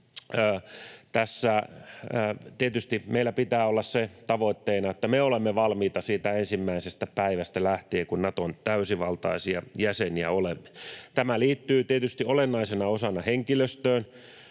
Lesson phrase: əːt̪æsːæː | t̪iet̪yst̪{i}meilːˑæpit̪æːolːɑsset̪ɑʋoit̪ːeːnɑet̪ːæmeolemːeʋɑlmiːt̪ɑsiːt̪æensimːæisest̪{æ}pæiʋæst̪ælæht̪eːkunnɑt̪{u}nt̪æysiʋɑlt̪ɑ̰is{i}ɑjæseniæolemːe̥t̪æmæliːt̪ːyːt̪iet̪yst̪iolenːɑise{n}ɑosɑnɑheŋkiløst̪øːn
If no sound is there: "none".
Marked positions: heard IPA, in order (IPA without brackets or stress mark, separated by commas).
i, æ, o, i, n